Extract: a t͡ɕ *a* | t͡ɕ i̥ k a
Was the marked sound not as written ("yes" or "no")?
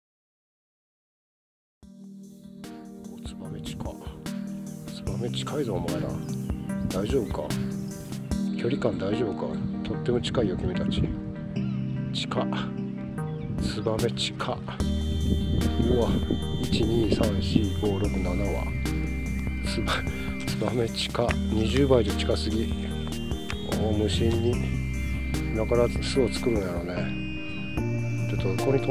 yes